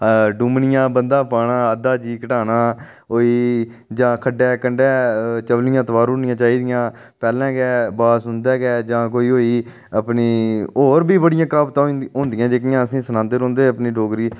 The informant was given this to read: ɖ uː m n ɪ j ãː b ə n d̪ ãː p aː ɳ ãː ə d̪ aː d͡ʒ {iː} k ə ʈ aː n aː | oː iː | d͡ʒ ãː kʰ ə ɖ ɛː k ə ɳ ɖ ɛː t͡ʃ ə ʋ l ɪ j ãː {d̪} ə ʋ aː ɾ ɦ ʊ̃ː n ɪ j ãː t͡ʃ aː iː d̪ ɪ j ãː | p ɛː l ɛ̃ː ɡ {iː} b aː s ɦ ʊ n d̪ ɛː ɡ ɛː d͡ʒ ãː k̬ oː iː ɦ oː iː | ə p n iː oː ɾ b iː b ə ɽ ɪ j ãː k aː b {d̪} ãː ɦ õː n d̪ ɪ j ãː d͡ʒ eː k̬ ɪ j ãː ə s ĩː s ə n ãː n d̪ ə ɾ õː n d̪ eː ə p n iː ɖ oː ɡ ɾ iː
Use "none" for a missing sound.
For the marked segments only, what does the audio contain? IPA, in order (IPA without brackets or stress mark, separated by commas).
iː, t̪, ɛː, t̪